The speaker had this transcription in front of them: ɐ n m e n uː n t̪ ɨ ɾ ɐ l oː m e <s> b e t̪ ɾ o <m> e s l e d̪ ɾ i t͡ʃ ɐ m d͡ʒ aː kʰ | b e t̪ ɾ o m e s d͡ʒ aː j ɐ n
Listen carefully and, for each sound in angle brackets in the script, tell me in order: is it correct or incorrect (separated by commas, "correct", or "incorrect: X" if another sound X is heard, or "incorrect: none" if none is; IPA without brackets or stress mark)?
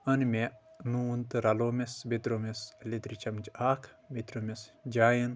correct, correct